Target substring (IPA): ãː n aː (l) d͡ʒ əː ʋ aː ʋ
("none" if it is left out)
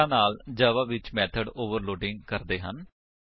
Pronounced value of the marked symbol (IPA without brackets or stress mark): l